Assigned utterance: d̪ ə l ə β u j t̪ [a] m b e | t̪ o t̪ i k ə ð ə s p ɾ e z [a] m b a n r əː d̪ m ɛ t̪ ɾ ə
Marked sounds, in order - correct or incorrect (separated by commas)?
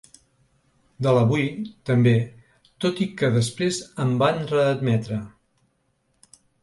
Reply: incorrect, incorrect